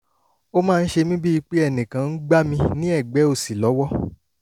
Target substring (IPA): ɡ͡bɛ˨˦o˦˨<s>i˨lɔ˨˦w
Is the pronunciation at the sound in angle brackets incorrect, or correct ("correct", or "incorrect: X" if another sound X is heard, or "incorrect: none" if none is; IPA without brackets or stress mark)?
correct